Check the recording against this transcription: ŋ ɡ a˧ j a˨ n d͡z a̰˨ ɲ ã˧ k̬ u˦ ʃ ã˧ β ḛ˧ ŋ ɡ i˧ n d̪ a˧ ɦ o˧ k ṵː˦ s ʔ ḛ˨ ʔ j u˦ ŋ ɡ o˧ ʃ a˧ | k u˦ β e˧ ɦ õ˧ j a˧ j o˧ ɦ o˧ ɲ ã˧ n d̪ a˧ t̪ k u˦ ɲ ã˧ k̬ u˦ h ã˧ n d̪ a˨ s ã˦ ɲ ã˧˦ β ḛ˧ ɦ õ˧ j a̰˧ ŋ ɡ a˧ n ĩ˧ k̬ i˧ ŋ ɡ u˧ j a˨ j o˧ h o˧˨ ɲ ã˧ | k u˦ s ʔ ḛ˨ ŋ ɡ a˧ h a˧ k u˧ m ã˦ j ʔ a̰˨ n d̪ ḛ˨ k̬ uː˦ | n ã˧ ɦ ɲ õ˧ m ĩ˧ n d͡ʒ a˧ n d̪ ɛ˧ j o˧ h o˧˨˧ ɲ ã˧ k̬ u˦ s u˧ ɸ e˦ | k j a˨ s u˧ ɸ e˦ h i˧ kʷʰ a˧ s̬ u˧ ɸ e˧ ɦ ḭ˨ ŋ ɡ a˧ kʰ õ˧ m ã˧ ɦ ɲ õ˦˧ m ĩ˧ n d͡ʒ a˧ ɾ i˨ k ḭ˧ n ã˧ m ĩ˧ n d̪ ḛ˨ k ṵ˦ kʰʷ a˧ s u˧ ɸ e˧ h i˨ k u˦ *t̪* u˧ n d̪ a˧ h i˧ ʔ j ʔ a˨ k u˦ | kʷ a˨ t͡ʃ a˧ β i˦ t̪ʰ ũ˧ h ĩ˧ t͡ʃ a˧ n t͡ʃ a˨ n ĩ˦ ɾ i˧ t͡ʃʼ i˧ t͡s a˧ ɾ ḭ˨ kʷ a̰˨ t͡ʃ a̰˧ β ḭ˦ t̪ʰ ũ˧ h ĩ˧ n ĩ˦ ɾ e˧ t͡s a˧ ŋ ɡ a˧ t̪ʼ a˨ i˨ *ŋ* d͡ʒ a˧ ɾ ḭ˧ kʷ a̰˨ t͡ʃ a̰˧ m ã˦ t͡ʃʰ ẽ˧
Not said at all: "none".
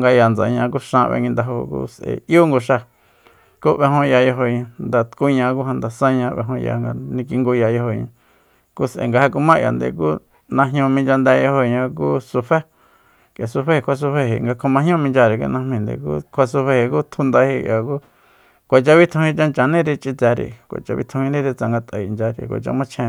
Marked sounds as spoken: t̪ʰ, n

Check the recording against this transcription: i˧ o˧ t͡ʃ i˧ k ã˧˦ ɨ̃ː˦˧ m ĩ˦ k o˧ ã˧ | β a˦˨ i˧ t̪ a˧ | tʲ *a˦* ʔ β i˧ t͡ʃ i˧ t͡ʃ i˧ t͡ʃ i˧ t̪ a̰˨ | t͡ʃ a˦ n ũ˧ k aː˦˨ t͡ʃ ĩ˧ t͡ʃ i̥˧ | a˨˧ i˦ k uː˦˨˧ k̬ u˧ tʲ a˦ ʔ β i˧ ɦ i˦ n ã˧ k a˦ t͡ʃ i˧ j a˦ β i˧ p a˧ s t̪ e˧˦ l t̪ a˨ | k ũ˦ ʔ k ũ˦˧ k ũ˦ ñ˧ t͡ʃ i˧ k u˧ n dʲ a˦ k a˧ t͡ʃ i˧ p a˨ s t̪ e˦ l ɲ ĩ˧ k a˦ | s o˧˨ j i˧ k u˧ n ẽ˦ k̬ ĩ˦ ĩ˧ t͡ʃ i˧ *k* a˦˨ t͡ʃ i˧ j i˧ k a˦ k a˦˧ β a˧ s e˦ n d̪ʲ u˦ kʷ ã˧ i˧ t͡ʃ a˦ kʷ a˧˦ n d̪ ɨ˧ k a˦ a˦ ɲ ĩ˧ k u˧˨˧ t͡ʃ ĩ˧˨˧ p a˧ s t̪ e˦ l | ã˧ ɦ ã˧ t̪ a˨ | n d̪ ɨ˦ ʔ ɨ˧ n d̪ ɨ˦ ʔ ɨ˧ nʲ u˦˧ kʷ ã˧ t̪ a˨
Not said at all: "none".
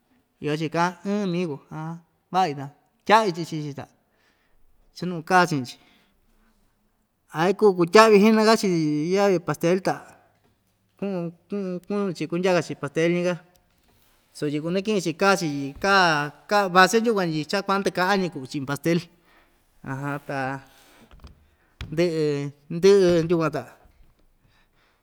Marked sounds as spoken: a˦, k

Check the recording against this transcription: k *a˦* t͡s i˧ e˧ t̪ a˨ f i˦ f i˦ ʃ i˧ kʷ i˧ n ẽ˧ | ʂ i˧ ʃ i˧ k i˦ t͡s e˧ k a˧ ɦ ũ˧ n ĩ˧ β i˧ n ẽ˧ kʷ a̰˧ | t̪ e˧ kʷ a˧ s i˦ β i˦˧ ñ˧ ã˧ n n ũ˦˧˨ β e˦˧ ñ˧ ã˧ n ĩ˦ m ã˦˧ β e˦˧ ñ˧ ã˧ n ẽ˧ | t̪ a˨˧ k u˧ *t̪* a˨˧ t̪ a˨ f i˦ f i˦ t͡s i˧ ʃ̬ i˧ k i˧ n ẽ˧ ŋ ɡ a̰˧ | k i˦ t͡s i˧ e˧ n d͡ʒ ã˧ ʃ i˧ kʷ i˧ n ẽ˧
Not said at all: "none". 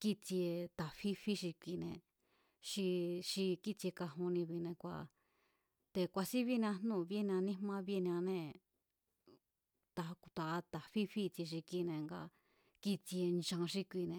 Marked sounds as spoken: i˦, t̪

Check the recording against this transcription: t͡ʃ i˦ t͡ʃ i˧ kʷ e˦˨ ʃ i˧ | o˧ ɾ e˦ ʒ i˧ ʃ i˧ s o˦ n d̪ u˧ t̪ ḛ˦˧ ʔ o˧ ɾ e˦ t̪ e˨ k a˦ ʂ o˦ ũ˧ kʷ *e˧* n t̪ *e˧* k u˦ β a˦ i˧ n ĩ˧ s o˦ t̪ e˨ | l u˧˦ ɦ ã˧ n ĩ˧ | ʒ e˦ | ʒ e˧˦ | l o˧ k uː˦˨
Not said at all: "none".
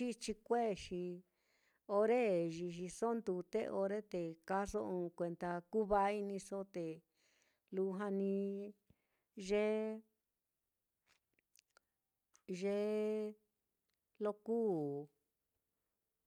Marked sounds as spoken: e˧, a˧

